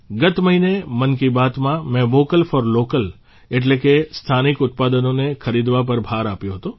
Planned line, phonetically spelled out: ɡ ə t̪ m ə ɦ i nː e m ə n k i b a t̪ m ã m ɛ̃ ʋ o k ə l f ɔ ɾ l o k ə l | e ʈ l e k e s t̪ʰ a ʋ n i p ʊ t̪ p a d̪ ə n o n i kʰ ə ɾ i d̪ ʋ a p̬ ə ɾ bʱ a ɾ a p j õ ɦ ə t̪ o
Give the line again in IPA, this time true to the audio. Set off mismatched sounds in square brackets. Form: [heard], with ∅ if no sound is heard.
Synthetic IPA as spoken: ɡ ə t̪ m ə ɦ i [n] e m ə n k i b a t̪ m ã m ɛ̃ ʋ o k ə l f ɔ ɾ l o k ə l | e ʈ l e k e s t̪ʰ a [∅] n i [k] ʊ t̪ p a d̪ ə n o n [e] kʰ ə ɾ i d̪ ʋ a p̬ ə ɾ bʱ a ɾ a p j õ ɦ ə t̪ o